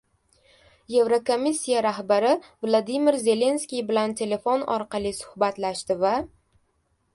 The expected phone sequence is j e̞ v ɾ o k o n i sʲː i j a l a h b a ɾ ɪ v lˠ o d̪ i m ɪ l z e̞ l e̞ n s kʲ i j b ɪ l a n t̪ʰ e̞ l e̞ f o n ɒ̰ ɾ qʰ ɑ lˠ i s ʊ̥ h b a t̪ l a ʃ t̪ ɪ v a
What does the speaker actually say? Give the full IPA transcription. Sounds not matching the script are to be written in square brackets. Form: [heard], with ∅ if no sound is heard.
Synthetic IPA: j e̞ v ɾ o k o [m] i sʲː i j a [ɾ] a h b a ɾ ɪ v lˠ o d̪ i m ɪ [ɾ] z e̞ l e̞ n s kʲ i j b ɪ l a n t̪ʰ e̞ l e̞ f o n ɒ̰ ɾ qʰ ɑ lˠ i s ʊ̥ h b a t̪ l a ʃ t̪ ɪ v a